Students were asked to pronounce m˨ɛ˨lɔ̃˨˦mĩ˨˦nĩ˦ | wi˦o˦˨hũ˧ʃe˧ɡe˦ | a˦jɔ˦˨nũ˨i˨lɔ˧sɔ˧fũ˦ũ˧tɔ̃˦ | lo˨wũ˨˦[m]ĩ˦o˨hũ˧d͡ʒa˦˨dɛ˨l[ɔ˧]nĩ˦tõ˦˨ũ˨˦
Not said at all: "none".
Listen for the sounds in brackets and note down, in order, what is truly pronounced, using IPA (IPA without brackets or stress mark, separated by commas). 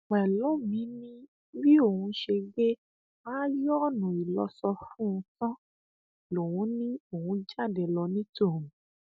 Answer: n, ɔ˧